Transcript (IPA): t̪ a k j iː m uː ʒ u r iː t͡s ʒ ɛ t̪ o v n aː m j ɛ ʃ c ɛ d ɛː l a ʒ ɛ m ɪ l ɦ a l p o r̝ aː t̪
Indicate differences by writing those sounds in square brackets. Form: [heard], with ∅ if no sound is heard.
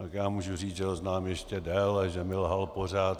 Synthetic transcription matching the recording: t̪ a k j [aː] m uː ʒ u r iː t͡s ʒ ɛ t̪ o [z] n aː m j ɛ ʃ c ɛ d ɛː l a ʒ ɛ m ɪ l ɦ a l p o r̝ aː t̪